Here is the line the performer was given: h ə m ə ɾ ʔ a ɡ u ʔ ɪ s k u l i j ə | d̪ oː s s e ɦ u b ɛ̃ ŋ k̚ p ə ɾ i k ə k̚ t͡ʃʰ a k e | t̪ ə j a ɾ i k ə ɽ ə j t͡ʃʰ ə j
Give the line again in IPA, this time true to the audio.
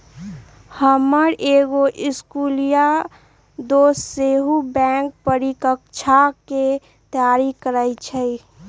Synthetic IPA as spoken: h ə m ə ɾ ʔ e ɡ o ʔ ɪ s k u l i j a | d̪ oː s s e ɦ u b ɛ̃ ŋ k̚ p ə ɾ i k ə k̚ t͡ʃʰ a k e | t̪ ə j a ɾ i k ə ɾ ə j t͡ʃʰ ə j